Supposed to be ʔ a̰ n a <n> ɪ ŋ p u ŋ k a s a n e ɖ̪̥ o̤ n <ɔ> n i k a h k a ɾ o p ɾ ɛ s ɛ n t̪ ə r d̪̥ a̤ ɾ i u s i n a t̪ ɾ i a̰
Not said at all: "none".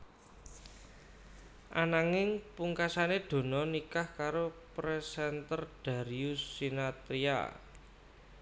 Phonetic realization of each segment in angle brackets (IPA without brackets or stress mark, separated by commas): ŋ, ɔ